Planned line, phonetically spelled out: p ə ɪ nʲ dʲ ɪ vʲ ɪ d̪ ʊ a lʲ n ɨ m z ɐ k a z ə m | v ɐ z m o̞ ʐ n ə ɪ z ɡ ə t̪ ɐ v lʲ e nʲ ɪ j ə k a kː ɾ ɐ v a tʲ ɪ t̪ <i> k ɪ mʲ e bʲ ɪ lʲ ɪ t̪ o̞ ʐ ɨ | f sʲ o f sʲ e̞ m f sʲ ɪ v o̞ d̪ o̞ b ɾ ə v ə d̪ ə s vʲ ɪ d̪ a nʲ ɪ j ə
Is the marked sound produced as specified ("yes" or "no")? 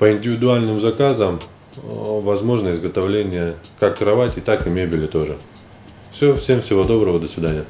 no